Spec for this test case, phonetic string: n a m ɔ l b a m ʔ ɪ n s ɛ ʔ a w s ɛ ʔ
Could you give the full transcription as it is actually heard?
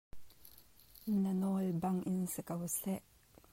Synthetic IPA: n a n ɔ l b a ŋ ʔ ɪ n s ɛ k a w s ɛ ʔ